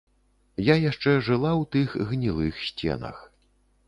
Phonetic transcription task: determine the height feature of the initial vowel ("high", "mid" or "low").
low